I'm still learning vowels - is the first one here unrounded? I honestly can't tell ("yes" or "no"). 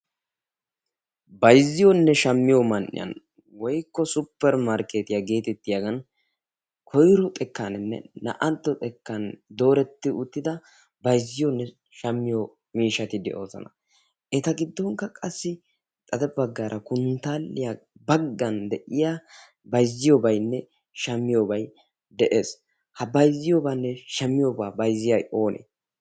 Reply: yes